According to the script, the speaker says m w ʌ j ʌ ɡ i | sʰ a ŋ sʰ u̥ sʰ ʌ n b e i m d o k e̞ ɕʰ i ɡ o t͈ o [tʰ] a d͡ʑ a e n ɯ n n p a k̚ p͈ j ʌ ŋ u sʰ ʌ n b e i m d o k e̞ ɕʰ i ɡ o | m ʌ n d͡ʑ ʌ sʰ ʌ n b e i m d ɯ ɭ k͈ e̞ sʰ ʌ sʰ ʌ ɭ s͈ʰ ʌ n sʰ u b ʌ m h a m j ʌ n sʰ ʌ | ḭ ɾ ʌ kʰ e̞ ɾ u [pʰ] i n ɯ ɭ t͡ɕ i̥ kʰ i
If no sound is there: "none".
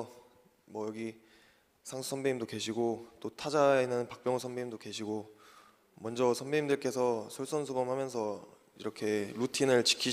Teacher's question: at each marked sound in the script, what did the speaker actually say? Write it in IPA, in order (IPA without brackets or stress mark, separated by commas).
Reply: tʰ, tʰ